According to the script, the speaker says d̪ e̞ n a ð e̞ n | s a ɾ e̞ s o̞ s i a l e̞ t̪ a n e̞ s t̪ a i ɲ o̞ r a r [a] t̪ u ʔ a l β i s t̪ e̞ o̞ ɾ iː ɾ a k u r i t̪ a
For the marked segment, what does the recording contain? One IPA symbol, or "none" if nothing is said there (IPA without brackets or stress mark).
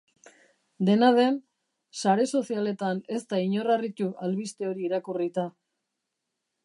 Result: i